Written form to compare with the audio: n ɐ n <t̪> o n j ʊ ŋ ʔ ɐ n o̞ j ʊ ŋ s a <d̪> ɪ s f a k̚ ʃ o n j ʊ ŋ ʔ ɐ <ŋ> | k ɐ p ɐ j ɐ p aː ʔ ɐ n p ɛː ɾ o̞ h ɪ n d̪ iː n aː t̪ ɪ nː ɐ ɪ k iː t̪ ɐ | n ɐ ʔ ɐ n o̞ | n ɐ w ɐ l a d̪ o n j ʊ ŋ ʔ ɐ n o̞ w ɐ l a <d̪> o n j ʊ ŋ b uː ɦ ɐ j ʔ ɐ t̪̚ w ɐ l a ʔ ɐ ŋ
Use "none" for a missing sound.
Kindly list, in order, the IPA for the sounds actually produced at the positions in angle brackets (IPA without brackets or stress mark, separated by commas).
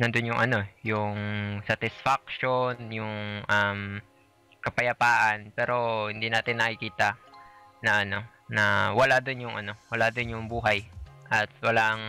d̪, t̪, m, d̪